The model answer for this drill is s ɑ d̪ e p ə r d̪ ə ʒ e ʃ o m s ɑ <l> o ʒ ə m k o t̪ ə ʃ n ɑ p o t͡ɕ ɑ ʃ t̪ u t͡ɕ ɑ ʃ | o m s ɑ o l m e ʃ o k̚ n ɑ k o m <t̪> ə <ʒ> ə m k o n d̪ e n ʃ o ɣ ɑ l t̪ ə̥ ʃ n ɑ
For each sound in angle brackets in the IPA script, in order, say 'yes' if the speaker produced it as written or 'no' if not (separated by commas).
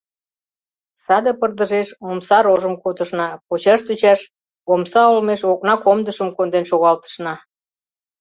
no, no, no